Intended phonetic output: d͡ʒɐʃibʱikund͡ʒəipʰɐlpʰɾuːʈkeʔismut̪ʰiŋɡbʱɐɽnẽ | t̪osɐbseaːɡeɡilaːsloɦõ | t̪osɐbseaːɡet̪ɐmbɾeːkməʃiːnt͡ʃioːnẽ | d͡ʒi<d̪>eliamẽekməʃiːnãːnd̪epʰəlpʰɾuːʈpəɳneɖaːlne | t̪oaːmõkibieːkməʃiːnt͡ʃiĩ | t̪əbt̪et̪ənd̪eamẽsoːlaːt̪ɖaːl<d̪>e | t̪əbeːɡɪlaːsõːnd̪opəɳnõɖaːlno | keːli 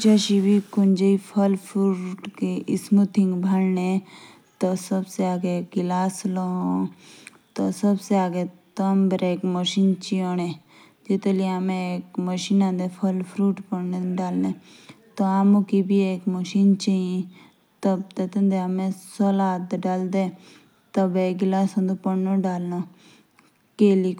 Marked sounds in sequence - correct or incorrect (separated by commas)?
incorrect, correct